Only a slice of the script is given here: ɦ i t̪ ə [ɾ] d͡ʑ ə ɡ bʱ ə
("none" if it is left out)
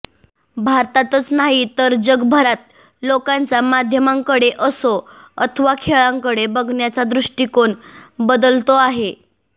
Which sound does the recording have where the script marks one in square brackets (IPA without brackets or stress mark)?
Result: ɾ